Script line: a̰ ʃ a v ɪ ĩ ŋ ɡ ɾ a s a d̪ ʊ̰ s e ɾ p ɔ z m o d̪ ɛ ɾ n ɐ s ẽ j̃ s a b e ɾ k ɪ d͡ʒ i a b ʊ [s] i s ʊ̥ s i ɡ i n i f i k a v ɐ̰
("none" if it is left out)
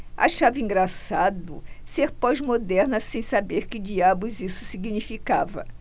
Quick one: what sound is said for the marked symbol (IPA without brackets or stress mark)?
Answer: z